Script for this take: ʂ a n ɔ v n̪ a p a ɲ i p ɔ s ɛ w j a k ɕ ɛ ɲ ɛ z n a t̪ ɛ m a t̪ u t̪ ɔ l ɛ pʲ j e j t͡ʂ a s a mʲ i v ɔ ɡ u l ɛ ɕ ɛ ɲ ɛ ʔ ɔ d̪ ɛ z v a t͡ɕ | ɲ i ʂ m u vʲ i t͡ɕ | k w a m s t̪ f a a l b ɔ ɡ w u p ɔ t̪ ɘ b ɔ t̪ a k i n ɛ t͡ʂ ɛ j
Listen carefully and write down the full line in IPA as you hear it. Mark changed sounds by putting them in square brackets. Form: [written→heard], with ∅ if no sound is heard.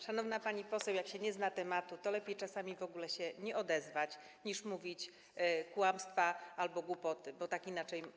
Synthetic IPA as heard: ʂ a n ɔ v n̪ a p a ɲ i p ɔ s ɛ w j a k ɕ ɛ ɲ ɛ z n a t̪ ɛ m a t̪ u t̪ ɔ l ɛ pʲ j e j t͡ʂ a s a mʲ i v ɔ ɡ u l ɛ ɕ ɛ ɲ ɛ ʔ ɔ d̪ ɛ z v a t͡ɕ | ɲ i ʂ m u vʲ i t͡ɕ | k w a m s t̪ f a a l b ɔ ɡ w u p ɔ t̪ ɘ b ɔ t̪ a k i n [ɛ→a] t͡ʂ ɛ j